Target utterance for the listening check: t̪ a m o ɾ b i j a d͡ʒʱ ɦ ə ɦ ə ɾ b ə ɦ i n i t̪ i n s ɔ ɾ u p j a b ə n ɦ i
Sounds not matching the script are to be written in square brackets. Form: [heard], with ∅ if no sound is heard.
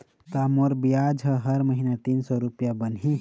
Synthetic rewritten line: t̪ a m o ɾ b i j a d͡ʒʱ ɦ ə ɦ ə ɾ [m] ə ɦ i n [a] t̪ i n s ɔ ɾ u p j a b ə n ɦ i